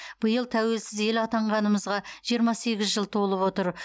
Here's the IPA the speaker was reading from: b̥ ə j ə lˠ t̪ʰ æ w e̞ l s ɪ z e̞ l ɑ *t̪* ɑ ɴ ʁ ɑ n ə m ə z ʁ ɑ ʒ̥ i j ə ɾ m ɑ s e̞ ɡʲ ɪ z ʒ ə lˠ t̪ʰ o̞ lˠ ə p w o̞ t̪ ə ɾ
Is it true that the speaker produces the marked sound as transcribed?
yes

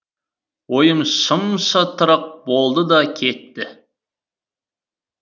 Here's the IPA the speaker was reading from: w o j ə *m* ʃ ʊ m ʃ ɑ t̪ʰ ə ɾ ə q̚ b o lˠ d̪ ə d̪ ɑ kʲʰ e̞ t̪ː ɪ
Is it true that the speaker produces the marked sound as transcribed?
yes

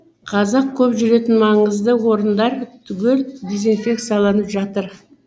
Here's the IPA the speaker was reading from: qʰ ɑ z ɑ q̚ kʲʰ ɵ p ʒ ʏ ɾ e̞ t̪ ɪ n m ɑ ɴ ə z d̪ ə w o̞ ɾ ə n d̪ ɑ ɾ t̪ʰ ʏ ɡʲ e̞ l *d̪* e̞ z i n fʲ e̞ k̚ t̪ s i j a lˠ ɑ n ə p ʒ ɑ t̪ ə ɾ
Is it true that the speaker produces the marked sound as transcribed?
yes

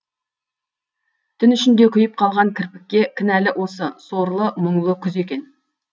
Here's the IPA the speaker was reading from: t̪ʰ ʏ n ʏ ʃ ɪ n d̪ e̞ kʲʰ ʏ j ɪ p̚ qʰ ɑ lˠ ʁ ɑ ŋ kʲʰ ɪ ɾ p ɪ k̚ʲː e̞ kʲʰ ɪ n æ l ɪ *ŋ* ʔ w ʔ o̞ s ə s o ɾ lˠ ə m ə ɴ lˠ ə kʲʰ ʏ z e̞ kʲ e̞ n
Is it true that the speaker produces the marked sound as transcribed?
no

